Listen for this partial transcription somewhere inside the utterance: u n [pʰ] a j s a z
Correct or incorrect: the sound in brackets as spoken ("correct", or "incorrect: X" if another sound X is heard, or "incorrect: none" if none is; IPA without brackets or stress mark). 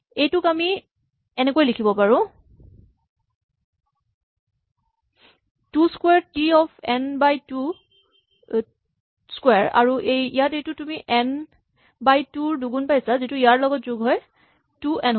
incorrect: p